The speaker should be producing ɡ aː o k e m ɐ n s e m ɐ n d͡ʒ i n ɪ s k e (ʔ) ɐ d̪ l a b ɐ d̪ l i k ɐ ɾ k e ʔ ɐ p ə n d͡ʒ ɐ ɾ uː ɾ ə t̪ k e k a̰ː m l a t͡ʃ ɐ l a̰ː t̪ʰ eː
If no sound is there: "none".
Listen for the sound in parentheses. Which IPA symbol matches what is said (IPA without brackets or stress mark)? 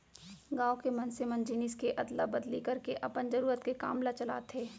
ʔ